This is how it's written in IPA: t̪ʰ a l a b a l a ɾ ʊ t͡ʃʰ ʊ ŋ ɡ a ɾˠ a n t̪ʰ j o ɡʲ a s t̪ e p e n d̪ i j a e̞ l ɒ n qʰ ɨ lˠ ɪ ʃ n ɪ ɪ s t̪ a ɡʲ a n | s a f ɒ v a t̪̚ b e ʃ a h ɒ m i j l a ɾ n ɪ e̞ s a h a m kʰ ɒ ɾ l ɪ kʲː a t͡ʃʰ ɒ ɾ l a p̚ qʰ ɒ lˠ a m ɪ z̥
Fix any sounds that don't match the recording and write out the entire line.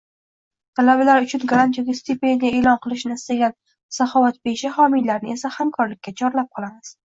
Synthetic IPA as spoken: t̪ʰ a l a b a l a ɾ ʊ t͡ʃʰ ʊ n ɡ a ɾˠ a n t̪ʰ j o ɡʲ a s t̪ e p e n d̪ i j a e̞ l ɒ n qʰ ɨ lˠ ɪ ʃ n ɪ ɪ s t̪ a ɡʲ a n | s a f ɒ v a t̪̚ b e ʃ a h ɒ m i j l a ɾ n ɪ e̞ s a h a m kʰ ɒ ɾ l ɪ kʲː a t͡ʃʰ ɒ ɾ l a p̚ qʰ ɒ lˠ a m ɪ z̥

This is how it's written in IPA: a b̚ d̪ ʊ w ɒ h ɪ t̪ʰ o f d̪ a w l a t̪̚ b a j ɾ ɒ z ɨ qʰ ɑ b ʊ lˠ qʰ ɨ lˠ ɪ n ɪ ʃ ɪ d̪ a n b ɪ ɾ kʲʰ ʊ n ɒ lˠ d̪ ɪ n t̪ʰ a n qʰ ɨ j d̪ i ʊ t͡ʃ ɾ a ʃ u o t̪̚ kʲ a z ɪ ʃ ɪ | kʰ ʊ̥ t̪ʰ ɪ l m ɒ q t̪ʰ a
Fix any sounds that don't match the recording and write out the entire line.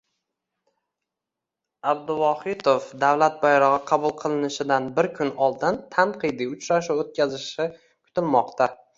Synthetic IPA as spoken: a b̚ d̪ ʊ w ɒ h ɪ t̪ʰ o f d̪ a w l a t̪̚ b a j ɾ ɒ ʁ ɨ qʰ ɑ b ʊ lˠ qʰ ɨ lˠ ɪ n ɪ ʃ ɪ d̪ a n b ɪ ɾ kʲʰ ʊ n ɒ lˠ d̪ ɪ n t̪ʰ a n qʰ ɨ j d̪ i ʊ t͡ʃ ɾ a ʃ u o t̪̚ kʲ a z ɪ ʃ ɪ | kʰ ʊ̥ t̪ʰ ɪ l m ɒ q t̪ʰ a

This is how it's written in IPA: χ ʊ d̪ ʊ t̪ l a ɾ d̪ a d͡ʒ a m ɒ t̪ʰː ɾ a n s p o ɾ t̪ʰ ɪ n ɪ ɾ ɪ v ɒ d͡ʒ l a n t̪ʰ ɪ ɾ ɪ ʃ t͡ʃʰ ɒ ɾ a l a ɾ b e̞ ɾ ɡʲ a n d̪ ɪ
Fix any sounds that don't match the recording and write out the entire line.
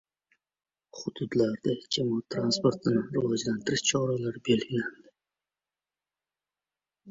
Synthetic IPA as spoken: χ ʊ d̪ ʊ d̪ l a ɾ d̪ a d͡ʒ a m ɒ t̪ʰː ɾ a n s p o ɾ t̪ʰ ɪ n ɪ ɾ ɪ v ɒ d͡ʒ l a n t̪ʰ ɪ ɾ ɪ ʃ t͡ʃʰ ɒ ɾ a l a ɾ b e̞ l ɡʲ a n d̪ ɪ

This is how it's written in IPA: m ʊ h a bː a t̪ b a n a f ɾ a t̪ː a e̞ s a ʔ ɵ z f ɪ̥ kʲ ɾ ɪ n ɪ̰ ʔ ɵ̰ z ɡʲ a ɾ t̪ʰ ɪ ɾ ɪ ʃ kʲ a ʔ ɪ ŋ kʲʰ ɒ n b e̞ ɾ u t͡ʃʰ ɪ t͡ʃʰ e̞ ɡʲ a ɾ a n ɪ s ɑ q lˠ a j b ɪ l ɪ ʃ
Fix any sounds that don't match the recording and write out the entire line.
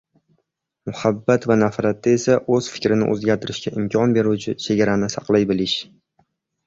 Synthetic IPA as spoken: m ʊ h a bː a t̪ v a n a f ɾ a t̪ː a e̞ s a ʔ ɵ z f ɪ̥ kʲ ɾ ɪ n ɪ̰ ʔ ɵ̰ z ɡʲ a ɾ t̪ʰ ɪ ɾ ɪ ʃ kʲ a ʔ ɪ m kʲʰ ɒ n b e̞ ɾ u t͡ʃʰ ɪ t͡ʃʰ e̞ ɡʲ a ɾ a n ɪ s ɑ q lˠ a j b ɪ l ɪ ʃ

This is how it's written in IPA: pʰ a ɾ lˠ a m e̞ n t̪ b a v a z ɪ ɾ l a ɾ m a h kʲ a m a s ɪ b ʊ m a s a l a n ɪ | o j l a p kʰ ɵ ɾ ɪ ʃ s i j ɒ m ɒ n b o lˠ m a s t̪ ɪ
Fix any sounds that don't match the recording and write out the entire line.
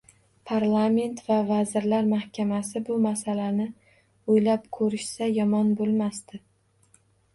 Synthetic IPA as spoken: pʰ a ɾ lˠ a m e̞ n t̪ v a v a z ɪ ɾ l a ɾ m a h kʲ a m a s ɪ b ʊ m a s a l a n ɪ | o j l a p kʰ ɵ ɾ ɪ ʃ s a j ɒ m ɒ n b o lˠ m a s t̪ ɪ

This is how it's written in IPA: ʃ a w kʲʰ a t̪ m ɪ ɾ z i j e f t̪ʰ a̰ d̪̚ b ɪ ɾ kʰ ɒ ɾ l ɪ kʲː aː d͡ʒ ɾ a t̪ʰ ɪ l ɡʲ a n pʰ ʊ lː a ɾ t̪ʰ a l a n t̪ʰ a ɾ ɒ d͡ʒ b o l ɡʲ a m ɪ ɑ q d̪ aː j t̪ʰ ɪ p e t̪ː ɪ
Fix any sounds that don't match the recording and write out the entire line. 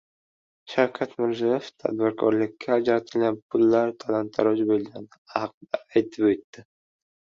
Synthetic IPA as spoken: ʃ a w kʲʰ a t̪ m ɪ ɾ z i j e f t̪ʰ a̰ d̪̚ b ɪ ɾ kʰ ɒ ɾ l ɪ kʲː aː d͡ʒ ɾ a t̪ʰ ɪ l ɡʲ a n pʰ ʊ lː a ɾ t̪ʰ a l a n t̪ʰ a ɾ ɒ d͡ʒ b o l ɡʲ a n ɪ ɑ q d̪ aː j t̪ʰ ɪ p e t̪ː ɪ

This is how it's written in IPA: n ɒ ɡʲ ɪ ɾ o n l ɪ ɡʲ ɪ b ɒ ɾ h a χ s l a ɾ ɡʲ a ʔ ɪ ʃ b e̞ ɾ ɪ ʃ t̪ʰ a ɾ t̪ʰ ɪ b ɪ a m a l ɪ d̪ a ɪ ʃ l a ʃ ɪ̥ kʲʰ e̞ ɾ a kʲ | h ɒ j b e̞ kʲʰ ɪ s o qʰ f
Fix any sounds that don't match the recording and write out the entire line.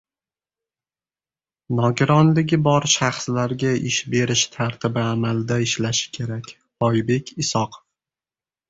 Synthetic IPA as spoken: n ɒ ɡʲ ɪ ɾ ɒ n l ɪ ɡʲ ɪ b ɒ ɾ ʃ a χ s l a ɾ ɡʲ a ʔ ɪ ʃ b e̞ ɾ ɪ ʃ t̪ʰ a ɾ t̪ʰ ɪ b ɪ a m a l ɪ d̪ a ɪ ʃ l a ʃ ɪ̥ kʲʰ e̞ ɾ a kʲ | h ɒ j b e̞ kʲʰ ɪ s ɒ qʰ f

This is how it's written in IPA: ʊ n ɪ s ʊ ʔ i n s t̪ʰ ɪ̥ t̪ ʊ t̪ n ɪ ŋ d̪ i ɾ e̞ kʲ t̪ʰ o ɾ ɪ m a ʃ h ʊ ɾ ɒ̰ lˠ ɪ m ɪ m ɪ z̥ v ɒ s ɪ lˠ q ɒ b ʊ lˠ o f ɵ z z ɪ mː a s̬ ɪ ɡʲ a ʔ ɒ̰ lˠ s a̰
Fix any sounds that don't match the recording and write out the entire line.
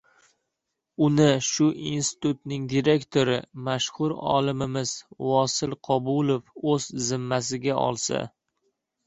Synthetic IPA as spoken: ʊ n ɪ ʃ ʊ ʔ i n s t̪ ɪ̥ t̪ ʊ t̪ n ɪ ŋ d̪ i ɾ e̞ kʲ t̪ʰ o ɾ ɪ m a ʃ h ʊ ɾ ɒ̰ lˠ ɪ m ɪ m ɪ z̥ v ɒ s ɪ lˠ qʰ ɒ b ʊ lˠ o f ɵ z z ɪ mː a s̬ ɪ ɡʲ a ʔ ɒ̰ lˠ s a̰

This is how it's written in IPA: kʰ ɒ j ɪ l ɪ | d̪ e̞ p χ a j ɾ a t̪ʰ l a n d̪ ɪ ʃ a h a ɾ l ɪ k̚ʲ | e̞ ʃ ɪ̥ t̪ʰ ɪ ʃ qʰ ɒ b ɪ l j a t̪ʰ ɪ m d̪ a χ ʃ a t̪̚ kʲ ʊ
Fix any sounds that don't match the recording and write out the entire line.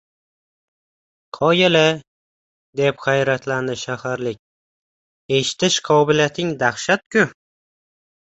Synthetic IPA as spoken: qʰ ɒ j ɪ l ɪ | d̪ e̞ p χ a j ɾ a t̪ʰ l a n d̪ ɪ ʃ a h a ɾ l ɪ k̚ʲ | e̞ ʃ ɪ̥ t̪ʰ ɪ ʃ qʰ ɒ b ɪ l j a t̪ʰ ɪ ŋ d̪ a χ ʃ a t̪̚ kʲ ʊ

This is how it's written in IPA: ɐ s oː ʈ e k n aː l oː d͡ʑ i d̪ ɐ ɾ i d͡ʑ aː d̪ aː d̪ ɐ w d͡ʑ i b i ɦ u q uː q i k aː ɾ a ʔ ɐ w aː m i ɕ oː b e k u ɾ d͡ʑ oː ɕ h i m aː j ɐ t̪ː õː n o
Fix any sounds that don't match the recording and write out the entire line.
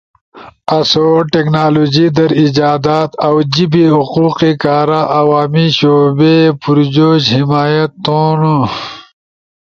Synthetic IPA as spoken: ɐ s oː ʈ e k n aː l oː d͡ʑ i d̪ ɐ ɾ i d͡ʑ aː d̪ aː t̪ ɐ w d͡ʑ i b i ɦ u q uː q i k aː ɾ a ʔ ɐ w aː m i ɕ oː b e p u ɾ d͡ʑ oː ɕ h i m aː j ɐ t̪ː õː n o

